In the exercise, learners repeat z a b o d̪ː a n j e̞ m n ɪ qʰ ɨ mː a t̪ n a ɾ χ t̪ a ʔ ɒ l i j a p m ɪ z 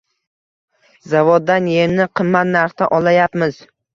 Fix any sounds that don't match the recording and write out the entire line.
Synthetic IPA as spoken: z a v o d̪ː a n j e̞ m n ɪ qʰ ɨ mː a t̪ n a ɾ χ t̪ a ʔ ɒ l a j a p m ɪ z